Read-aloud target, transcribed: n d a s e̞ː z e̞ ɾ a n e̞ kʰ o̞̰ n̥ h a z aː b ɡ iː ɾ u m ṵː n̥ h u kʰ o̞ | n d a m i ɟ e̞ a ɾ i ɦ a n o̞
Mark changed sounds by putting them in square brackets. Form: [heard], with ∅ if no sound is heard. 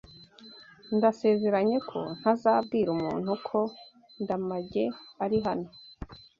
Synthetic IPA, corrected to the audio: n d a s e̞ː z e̞ ɾ a [ɲ] e̞ kʰ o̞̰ n̥ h a z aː b ɡ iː ɾ u m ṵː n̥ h u kʰ o̞ | n d a m [a] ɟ e̞ a ɾ i ɦ a n o̞